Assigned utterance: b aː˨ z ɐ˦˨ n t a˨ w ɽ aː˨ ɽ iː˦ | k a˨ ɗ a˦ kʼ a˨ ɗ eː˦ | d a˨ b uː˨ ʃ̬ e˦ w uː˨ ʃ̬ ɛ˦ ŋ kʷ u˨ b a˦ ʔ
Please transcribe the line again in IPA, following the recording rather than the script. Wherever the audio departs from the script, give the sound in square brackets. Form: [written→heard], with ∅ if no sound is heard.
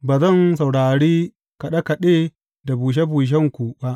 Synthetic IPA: b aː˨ z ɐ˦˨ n [t→s] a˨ w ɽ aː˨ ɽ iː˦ | k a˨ ɗ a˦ [kʼ→k] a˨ ɗ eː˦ | d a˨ b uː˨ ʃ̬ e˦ [w→b] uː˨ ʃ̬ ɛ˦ ŋ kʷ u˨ b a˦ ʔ